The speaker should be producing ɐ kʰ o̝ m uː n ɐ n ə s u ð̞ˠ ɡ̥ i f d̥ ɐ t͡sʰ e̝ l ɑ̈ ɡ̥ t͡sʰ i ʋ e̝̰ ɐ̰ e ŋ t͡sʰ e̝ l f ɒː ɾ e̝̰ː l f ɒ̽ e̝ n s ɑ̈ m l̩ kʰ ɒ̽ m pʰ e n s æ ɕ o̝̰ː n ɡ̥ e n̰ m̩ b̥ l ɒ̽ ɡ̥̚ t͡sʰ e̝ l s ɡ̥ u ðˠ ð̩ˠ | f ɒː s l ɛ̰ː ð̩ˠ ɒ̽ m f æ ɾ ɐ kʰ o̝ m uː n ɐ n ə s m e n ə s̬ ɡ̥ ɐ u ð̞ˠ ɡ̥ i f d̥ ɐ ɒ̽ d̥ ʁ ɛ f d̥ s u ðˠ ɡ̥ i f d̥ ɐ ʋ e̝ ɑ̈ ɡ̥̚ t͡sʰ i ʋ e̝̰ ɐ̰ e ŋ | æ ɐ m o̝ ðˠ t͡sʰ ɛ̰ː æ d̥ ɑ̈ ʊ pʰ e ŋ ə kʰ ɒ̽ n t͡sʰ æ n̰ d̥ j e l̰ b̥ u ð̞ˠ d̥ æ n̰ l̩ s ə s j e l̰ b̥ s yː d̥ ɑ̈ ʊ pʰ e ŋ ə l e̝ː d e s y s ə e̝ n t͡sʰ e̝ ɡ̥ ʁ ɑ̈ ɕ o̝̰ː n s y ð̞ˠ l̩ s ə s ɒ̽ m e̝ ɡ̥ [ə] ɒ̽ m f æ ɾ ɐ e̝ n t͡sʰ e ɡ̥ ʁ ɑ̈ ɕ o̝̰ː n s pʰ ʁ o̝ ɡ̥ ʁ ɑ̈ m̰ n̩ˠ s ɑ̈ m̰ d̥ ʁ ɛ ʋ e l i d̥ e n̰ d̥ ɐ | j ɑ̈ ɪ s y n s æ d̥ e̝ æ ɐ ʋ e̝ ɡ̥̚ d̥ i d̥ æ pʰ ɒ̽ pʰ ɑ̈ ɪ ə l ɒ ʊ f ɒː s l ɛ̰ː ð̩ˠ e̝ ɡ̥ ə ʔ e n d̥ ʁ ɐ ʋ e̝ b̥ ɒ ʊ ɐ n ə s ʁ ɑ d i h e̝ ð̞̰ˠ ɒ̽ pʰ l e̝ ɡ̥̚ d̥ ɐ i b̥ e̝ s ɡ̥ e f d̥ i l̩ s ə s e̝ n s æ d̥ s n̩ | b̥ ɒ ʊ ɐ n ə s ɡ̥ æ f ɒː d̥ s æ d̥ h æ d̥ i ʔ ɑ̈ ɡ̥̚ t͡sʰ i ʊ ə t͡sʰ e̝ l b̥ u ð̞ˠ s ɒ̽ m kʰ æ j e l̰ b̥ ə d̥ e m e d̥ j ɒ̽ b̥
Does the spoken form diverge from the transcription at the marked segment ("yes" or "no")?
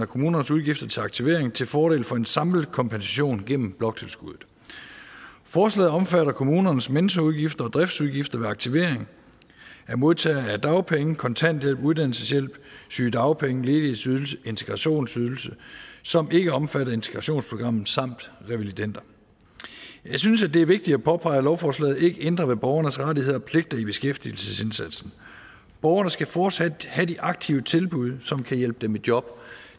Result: no